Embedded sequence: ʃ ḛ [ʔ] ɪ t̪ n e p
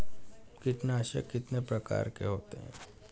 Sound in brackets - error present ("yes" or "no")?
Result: yes